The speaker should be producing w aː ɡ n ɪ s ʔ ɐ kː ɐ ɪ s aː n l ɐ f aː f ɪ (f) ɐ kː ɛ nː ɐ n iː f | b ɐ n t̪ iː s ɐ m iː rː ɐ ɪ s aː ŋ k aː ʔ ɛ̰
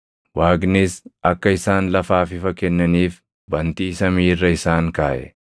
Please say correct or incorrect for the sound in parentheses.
correct